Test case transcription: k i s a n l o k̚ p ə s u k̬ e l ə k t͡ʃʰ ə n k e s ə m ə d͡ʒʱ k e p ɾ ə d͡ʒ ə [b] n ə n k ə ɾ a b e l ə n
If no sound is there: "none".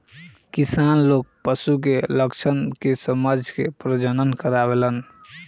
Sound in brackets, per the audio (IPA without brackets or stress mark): none